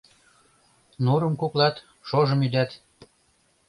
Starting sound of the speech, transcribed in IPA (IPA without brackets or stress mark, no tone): n